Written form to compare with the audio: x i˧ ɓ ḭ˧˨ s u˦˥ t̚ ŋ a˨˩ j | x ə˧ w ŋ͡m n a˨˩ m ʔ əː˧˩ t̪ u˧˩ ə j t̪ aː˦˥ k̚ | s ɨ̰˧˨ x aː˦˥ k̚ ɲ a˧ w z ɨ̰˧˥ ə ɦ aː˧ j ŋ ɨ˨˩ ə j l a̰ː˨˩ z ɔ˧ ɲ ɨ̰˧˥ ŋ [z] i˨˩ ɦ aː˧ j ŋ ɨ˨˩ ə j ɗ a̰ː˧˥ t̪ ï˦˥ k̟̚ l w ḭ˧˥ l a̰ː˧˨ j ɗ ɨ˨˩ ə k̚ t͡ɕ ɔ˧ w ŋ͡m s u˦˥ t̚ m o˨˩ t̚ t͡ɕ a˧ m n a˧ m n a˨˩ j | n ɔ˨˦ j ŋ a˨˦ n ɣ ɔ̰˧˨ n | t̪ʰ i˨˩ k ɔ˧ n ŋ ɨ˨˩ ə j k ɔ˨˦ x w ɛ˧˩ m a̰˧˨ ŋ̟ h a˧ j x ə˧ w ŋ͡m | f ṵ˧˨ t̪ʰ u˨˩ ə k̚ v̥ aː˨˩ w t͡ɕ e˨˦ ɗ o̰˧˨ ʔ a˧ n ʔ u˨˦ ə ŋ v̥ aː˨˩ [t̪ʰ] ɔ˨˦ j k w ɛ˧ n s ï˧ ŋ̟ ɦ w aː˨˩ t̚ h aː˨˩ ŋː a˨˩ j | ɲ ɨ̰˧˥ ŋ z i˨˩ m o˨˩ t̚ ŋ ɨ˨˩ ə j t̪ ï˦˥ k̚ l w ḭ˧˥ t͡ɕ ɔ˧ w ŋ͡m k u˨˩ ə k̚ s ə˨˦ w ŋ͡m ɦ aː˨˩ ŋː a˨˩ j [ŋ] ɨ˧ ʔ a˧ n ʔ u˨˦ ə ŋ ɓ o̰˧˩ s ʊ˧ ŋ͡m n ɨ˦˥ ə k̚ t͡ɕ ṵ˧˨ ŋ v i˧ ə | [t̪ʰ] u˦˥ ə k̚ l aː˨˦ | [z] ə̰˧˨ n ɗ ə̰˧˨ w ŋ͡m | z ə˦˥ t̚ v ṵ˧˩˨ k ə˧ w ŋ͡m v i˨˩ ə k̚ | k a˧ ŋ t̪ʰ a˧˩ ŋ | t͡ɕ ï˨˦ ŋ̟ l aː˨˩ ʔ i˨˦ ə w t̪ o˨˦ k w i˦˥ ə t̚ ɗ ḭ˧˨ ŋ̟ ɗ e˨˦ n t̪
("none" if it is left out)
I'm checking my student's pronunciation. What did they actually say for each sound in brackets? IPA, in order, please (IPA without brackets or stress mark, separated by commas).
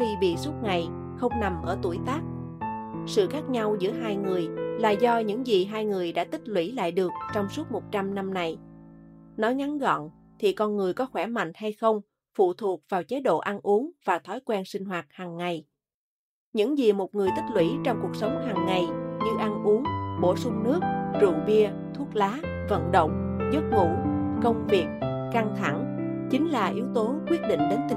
z, t̪ʰ, ɲ, t̪ʰ, v